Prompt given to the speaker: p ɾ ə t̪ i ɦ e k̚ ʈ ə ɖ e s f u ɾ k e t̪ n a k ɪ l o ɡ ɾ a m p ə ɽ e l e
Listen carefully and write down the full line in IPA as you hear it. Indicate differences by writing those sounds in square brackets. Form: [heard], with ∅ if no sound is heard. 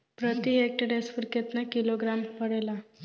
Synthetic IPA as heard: p ɾ ə t̪ i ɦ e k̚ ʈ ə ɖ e s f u ɾ k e t̪ n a k [i] l o ɡ ɾ a m p ə ɽ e l [a]